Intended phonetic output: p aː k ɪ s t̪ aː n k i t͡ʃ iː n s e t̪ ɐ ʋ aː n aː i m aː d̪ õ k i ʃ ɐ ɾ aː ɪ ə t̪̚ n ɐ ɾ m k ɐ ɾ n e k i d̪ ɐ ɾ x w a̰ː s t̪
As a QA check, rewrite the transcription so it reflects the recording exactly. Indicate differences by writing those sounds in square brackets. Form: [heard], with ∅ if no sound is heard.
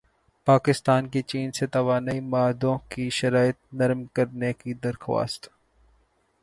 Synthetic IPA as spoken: p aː k ɪ s t̪ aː n k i t͡ʃ iː n s e t̪ ɐ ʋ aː n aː i m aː d̪ õ k i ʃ ɐ ɾ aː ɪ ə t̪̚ n ɐ ɾ m k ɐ ɾ n e k i d̪ ɐ ɾ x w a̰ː s t̪